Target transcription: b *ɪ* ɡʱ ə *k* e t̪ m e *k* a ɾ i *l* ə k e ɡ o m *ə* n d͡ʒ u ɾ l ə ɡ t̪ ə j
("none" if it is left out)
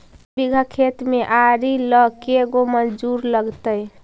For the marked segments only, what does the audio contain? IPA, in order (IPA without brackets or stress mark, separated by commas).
i, kʰ, ʔ, l, ə